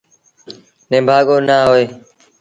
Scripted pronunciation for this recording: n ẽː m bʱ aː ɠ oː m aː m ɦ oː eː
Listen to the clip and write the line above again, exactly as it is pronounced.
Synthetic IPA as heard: n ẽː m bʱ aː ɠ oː n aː ɦ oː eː